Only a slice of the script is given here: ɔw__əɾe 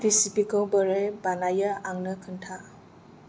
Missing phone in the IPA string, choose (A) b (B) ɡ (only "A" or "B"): A